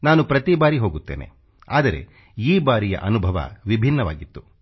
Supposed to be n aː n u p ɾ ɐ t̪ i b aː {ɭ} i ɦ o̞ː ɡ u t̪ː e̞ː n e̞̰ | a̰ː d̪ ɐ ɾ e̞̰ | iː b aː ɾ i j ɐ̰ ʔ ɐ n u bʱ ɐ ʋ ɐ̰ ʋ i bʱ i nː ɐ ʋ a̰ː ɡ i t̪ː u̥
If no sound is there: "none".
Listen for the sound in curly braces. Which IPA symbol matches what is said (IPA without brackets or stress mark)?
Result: ɾ